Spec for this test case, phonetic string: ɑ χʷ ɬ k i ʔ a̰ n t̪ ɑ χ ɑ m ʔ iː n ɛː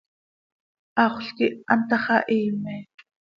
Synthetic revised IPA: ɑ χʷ ɬ k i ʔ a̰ n t̪ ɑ χ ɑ ʔ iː m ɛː